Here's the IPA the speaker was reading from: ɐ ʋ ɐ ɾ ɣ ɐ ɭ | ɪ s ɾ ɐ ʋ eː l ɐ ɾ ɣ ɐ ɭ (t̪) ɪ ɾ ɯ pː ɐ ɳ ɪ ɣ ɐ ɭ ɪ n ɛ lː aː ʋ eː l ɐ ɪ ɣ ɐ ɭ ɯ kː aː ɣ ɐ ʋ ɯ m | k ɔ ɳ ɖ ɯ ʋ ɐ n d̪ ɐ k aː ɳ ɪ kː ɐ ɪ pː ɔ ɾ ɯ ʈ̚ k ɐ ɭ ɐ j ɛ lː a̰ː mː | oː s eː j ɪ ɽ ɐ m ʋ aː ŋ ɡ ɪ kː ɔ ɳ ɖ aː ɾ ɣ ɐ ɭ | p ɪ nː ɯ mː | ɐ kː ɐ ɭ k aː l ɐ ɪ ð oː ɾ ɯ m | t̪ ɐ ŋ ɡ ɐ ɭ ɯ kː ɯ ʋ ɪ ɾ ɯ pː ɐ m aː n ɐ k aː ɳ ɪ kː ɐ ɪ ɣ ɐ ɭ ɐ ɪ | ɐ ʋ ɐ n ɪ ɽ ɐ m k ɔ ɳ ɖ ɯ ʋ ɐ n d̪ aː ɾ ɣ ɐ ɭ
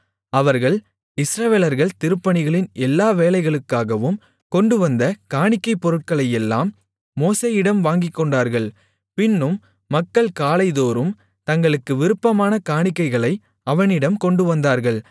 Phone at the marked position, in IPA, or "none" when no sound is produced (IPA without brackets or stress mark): t̪